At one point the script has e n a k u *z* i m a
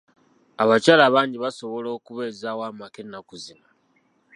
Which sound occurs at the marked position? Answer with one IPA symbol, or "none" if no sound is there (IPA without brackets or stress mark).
z